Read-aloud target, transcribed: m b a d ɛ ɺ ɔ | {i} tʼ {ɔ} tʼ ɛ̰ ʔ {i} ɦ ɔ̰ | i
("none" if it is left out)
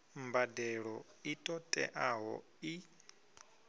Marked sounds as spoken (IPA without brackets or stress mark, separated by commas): i, ɔ, a